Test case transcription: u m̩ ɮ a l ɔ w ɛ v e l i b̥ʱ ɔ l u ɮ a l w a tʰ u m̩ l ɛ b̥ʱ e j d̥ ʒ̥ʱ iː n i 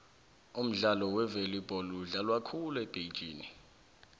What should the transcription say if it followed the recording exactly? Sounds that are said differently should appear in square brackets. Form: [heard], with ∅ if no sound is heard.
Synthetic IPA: u m̩ ɮ a l ɔ w ɛ v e l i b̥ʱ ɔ l u ɮ a l w a [kʰ] u [∅] l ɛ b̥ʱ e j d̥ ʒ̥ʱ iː n i